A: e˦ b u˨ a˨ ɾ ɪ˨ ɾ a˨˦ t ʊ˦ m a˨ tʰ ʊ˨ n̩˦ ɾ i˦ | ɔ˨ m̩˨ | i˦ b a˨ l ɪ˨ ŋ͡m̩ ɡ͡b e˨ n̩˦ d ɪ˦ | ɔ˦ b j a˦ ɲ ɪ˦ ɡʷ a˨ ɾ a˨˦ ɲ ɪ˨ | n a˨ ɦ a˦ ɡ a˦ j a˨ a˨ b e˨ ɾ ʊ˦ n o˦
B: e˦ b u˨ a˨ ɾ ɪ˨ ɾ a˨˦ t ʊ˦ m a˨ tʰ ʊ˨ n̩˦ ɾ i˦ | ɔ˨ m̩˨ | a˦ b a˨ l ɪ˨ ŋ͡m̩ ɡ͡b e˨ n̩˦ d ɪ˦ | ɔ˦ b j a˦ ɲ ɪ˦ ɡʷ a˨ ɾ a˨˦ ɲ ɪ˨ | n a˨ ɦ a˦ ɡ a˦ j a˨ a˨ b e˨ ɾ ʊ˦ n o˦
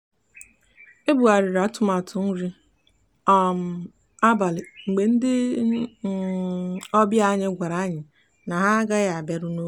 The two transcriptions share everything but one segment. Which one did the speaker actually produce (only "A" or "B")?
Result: B